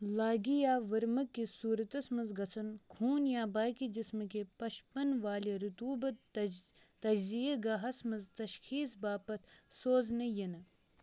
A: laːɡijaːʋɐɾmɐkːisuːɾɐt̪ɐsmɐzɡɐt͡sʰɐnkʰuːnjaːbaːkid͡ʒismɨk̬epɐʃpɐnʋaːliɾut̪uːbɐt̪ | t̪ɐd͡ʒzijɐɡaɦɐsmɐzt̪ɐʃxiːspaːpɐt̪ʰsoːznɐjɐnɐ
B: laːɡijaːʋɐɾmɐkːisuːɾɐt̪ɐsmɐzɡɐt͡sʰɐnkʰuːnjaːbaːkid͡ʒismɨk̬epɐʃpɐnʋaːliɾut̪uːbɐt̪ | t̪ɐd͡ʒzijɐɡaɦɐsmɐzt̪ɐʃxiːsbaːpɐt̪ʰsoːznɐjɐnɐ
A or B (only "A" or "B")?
B